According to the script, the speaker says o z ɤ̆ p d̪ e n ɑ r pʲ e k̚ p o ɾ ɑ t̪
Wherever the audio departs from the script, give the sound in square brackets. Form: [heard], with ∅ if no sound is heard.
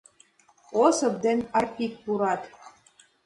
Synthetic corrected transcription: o [s] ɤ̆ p d̪ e n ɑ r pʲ [i] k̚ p [u] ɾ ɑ t̪